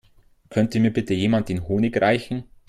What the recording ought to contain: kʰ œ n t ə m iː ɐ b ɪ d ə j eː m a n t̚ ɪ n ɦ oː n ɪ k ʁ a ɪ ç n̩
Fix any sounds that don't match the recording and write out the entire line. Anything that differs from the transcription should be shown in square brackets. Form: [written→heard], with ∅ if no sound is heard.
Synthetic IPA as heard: kʰ œ n t ə m iː ɐ b ɪ [d→t] ə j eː m a n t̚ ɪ n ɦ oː n ɪ k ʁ a ɪ ç n̩